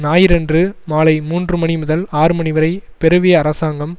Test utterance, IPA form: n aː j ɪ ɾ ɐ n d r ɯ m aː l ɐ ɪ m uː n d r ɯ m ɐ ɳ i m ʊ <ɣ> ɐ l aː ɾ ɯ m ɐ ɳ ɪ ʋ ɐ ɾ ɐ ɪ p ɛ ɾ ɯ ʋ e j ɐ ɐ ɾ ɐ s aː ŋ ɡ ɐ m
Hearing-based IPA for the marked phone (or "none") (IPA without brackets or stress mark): ð